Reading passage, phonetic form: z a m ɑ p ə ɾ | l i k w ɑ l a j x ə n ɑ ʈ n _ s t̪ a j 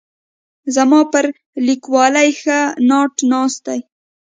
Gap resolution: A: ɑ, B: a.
A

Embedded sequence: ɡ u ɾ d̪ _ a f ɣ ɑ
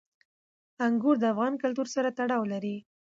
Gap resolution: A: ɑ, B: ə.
B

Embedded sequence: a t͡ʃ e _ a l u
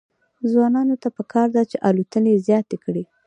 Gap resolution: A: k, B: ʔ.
B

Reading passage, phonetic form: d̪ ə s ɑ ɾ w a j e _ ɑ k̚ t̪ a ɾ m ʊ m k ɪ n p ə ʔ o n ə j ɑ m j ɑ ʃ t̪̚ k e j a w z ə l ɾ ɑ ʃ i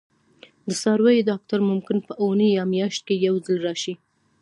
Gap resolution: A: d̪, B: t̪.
A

